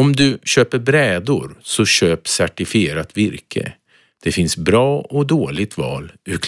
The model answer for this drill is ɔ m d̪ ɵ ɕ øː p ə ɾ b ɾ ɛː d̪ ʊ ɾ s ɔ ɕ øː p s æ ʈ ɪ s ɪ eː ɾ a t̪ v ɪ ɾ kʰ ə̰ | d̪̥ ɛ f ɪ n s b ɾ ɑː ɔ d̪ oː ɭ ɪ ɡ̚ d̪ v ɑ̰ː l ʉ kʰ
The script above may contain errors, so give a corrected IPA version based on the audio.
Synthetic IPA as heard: ɔ m d̪ ɵ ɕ øː p ə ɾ b ɾ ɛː d̪ ʊ ɾ s ɔ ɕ øː p s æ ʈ ɪ f ɪ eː ɾ a t̪ v ɪ ɾ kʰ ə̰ | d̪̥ ɛ f ɪ n s b ɾ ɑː ɔ d̪ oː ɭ ɪ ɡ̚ t̪ v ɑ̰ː l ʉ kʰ